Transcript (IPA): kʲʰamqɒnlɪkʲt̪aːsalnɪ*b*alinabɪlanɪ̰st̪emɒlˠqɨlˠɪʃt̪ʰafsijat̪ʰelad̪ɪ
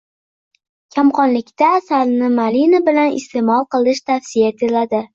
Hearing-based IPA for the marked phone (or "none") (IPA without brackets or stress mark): m